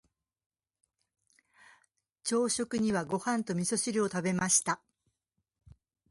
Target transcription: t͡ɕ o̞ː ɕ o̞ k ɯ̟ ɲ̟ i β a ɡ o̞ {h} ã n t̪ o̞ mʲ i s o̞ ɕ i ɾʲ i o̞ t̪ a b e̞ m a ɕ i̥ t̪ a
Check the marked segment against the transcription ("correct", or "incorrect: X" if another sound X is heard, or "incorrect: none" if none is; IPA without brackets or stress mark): correct